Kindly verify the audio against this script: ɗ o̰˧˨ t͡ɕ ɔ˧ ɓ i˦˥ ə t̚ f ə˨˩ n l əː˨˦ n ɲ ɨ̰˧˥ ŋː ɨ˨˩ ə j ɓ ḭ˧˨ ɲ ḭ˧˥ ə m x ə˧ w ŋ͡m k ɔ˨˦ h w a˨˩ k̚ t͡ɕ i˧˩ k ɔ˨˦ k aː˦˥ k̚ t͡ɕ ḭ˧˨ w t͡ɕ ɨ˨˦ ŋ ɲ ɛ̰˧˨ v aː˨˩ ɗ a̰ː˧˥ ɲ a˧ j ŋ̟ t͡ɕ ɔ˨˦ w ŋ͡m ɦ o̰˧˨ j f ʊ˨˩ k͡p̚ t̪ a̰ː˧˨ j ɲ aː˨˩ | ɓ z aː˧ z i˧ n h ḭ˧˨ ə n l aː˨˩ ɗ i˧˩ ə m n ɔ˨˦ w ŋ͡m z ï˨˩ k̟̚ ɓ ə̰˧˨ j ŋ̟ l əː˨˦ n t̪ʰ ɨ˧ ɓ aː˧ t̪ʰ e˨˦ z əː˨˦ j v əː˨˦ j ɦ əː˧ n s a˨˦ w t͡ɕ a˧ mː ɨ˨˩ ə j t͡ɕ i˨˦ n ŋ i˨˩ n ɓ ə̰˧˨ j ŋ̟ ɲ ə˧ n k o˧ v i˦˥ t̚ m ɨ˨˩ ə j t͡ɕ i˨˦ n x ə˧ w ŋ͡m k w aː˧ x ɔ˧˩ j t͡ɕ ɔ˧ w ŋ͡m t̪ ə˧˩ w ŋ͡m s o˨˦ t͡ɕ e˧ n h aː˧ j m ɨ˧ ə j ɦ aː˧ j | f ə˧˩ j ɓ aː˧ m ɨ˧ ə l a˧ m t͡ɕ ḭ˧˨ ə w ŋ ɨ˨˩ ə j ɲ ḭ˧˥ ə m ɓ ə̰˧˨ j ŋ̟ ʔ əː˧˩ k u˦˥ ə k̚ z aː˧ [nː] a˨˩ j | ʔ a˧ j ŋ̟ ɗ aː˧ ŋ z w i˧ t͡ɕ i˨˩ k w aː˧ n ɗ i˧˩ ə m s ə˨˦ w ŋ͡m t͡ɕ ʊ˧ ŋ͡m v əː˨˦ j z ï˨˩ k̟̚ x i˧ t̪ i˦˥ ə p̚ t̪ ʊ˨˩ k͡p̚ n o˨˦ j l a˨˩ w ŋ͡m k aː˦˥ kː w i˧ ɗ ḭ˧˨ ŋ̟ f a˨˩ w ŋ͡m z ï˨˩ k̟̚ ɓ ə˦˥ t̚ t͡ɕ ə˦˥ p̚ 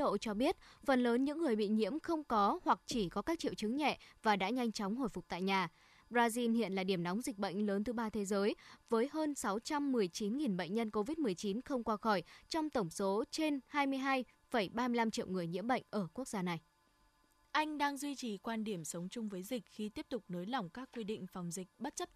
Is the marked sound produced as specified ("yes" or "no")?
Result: no